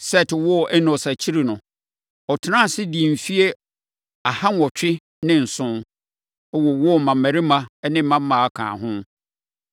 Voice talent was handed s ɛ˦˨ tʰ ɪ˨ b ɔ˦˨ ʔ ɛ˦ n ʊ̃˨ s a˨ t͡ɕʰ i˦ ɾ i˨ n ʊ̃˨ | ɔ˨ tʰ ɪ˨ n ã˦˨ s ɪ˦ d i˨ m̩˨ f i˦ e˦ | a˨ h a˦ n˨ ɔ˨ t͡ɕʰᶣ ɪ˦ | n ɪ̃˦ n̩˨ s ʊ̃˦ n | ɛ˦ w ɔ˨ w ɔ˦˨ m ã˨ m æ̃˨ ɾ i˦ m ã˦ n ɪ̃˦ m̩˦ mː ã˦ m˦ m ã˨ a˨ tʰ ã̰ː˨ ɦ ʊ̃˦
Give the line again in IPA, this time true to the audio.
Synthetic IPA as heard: s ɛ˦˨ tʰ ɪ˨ w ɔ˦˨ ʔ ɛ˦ n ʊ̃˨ s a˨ t͡ɕʰ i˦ ɾ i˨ n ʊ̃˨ | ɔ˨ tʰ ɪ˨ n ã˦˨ s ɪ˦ d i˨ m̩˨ f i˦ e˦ | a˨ h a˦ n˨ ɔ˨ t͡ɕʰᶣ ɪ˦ | n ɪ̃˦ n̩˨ s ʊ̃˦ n | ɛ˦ w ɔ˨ w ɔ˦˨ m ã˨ m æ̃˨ ɾ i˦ m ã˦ n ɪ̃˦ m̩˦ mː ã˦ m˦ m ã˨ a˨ kʰ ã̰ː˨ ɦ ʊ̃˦